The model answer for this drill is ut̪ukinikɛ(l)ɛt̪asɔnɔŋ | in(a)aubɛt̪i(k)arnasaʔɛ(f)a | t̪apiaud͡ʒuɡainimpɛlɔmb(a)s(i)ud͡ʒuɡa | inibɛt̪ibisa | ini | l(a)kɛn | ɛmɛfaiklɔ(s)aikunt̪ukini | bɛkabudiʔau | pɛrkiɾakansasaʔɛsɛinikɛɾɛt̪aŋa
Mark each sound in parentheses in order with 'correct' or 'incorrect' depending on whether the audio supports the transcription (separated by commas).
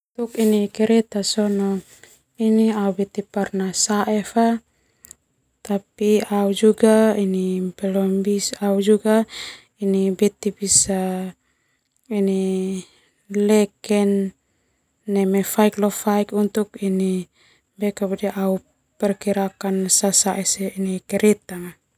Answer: incorrect, incorrect, incorrect, correct, incorrect, incorrect, incorrect, incorrect